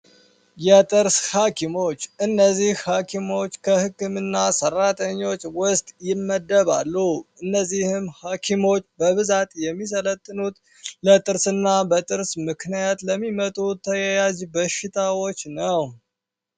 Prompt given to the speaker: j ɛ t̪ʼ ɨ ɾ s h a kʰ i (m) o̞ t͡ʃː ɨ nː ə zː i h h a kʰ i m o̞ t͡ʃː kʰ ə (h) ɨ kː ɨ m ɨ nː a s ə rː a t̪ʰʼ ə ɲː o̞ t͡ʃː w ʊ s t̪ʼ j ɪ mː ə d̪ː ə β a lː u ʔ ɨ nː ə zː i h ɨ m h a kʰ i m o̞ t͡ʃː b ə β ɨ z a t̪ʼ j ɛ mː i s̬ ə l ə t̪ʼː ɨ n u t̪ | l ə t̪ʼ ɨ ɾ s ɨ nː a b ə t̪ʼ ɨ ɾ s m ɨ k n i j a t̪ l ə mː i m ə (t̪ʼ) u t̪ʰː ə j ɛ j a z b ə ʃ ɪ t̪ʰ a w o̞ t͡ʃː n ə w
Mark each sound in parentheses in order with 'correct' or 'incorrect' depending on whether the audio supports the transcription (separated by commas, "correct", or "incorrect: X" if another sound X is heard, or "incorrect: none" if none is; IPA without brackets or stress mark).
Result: correct, correct, correct